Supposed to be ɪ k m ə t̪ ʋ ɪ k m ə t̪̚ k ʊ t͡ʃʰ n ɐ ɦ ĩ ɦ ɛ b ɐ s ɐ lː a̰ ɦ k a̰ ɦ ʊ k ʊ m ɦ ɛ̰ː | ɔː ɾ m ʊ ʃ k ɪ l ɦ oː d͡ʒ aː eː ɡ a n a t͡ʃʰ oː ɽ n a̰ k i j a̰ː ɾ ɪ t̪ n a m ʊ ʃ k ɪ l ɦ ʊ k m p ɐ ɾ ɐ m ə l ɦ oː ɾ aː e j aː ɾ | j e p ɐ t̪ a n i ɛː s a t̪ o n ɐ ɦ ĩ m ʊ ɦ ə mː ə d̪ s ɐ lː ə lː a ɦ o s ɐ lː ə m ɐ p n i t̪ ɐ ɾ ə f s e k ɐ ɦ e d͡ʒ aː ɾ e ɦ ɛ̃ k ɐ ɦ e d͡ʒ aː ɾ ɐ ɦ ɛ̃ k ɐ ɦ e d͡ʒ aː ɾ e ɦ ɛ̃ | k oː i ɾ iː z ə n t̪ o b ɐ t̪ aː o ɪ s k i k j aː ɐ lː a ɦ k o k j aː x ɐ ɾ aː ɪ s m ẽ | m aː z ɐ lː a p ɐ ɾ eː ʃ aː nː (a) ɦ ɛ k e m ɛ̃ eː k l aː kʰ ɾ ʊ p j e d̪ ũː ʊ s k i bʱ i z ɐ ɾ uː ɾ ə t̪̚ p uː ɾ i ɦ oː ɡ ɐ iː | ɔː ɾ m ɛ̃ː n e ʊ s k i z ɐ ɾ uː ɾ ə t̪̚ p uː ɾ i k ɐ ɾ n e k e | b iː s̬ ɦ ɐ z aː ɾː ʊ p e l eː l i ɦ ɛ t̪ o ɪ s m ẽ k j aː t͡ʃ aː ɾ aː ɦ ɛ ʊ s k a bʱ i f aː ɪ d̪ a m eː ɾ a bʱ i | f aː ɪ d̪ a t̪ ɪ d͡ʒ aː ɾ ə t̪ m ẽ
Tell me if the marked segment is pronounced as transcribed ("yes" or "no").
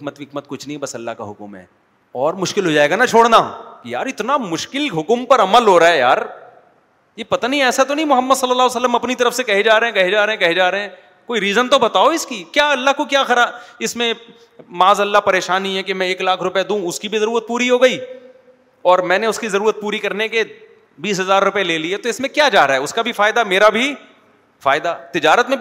no